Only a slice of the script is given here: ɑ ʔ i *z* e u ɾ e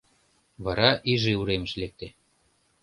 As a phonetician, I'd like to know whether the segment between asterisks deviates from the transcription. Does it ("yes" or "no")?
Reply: yes